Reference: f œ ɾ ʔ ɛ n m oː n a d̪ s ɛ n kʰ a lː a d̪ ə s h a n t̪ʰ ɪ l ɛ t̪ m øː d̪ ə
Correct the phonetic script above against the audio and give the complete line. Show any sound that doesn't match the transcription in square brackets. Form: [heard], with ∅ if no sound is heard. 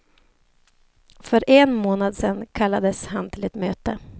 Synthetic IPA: f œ ɾ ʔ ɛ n m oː n a d̪ s ɛ n kʰ a lː a d̪ ə s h a n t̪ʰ ɪ l ɛ t̪ m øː [t̪] ə